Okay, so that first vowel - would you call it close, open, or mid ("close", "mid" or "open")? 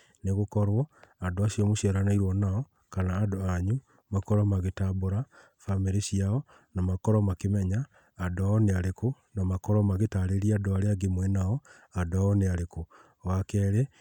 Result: mid